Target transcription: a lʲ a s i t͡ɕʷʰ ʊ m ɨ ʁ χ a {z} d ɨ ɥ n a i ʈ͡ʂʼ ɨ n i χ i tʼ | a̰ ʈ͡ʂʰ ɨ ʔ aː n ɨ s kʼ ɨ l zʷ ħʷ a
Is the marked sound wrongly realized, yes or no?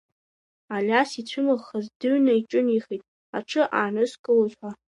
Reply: no